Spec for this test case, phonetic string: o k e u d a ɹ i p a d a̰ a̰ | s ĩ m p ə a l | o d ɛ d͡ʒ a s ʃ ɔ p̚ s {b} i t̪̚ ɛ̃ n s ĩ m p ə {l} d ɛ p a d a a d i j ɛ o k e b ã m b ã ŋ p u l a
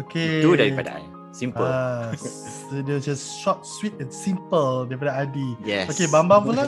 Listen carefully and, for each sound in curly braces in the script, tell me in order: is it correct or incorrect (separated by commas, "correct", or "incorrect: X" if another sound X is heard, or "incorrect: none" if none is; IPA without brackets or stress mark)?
incorrect: w, correct